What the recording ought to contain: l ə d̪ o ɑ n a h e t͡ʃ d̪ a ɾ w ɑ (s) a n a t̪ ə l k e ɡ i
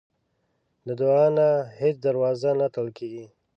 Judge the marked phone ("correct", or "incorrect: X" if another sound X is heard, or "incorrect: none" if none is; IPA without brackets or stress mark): incorrect: z